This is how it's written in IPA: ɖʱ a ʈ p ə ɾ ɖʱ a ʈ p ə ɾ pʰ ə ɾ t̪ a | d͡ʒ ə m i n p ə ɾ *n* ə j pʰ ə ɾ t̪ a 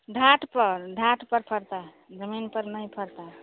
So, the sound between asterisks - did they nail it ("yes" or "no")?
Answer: yes